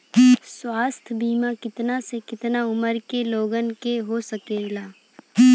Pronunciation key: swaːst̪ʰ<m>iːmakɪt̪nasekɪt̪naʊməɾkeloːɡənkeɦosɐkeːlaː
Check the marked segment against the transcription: incorrect: b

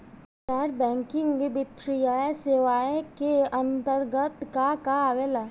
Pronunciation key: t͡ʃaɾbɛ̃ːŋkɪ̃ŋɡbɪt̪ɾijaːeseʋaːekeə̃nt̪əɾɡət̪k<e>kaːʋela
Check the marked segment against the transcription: incorrect: a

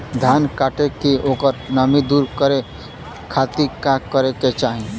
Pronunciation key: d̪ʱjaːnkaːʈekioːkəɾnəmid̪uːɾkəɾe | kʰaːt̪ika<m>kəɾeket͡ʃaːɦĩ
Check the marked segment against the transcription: incorrect: none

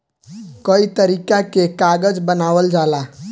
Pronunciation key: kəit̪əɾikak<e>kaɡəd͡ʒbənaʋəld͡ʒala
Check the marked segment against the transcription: correct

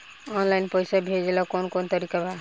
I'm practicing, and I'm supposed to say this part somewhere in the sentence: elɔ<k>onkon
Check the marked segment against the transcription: correct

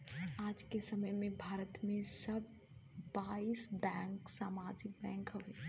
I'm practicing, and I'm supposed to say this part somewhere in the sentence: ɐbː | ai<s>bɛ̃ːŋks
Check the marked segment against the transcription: correct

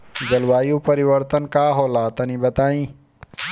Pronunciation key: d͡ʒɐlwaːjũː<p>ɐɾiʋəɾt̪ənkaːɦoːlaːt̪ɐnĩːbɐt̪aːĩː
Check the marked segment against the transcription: correct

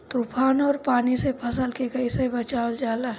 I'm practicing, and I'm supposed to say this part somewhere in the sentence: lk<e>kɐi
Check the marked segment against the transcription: correct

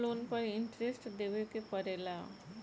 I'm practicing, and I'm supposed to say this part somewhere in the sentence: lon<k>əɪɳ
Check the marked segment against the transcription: incorrect: p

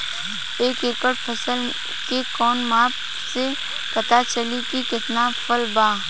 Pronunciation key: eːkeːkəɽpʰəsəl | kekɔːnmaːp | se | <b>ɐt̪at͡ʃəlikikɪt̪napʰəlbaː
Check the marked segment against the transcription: incorrect: p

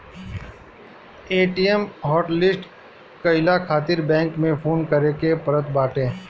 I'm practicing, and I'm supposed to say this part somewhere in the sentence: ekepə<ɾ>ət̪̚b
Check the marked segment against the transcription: correct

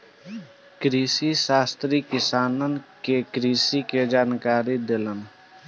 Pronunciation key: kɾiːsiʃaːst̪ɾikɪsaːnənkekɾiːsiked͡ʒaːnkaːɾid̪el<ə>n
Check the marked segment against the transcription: correct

